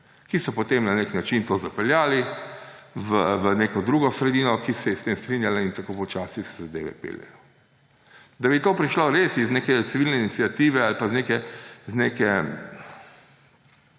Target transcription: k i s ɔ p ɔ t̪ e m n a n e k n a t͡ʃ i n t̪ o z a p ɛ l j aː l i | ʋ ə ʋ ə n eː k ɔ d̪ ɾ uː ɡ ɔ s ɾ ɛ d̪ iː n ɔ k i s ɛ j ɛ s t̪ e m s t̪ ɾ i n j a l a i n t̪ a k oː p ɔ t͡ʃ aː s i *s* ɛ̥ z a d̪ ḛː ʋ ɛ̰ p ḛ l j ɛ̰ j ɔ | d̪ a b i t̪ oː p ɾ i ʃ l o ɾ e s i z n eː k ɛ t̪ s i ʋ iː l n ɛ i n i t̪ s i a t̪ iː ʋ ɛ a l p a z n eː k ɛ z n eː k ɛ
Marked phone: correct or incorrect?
correct